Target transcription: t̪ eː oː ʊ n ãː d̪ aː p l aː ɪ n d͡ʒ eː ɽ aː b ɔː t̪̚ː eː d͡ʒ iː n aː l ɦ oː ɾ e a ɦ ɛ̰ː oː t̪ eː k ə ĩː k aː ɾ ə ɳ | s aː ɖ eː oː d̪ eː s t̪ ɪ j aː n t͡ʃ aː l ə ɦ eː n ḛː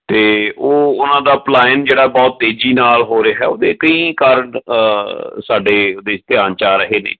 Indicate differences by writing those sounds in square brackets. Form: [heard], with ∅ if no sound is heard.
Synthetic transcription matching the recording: t̪ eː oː ʊ n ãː d̪ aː p l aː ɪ n d͡ʒ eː ɽ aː b ɔː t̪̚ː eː d͡ʒ iː n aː l ɦ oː ɾ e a ɦ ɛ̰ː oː [d̪] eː k ə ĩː k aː ɾ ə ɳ | s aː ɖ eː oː d̪ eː s t̪ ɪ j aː n t͡ʃ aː [ɾ] ə ɦ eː n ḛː